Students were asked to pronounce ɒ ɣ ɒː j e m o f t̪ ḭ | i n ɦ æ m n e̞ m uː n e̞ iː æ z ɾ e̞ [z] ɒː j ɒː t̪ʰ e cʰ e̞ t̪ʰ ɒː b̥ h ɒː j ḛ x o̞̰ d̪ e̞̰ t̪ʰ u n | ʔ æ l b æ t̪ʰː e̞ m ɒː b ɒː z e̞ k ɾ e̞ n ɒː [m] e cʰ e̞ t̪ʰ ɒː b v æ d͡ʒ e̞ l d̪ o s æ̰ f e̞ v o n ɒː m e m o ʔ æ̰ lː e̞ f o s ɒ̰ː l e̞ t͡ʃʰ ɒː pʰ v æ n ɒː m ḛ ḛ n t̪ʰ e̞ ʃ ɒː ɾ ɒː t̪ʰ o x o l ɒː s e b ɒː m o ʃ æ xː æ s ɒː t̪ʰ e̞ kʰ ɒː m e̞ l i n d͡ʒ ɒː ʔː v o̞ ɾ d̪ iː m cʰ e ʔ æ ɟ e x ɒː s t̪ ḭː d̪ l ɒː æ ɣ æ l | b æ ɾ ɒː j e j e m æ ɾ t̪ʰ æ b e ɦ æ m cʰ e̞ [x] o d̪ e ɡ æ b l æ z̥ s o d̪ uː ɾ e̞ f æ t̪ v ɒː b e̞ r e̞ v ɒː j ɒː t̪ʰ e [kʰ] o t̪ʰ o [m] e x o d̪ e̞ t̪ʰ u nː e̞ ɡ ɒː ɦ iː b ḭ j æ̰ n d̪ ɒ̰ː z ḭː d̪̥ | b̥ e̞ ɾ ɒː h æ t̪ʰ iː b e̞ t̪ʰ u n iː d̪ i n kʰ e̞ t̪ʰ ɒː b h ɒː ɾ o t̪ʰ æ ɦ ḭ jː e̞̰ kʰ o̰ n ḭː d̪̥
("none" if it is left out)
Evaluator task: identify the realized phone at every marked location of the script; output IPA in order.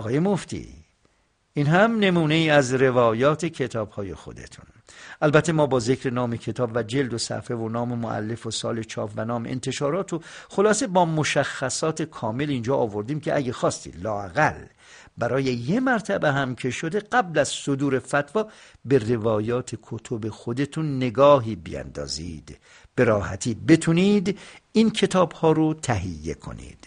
v, m, ʃ, kʰ, b

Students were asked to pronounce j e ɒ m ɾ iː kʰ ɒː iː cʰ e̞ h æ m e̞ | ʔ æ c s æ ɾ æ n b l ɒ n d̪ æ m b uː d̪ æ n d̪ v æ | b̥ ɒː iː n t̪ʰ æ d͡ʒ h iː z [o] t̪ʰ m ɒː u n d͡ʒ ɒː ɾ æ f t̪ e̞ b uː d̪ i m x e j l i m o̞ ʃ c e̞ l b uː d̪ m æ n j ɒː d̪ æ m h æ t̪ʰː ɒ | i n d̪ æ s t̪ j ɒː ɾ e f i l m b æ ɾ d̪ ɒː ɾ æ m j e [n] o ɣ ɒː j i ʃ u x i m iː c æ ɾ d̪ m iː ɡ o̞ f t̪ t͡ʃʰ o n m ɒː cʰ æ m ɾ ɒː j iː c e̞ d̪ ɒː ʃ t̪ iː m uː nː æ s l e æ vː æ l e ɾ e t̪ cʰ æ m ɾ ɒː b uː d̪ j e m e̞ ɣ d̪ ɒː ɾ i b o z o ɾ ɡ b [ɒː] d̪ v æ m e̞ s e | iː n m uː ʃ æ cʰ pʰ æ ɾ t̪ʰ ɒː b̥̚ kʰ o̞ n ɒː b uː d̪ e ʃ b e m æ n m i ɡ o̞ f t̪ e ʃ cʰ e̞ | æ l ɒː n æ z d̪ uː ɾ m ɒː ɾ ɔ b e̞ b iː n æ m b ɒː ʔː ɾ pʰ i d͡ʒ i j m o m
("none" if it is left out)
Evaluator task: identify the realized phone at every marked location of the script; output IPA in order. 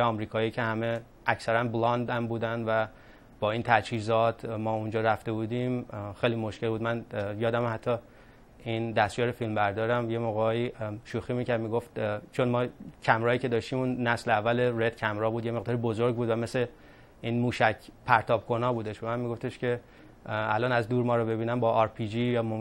ɒ, m, uː

